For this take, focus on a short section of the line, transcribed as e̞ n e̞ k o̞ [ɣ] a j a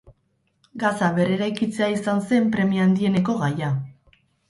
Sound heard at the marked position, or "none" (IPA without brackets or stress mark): ɣ